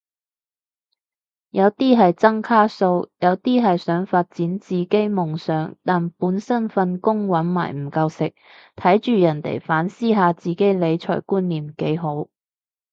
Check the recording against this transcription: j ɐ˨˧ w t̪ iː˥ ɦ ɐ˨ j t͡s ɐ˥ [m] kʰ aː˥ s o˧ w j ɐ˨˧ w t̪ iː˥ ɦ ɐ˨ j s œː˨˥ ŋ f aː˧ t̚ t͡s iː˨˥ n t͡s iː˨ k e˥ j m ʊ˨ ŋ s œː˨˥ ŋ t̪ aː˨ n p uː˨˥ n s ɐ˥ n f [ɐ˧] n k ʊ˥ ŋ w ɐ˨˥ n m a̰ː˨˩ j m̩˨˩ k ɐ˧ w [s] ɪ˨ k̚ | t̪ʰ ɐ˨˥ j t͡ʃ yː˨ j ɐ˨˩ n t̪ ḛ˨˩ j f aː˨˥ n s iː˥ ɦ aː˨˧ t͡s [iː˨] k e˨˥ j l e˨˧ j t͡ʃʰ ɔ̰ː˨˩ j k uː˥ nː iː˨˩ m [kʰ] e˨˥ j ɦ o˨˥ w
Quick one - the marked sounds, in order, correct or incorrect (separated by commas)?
incorrect, correct, correct, correct, incorrect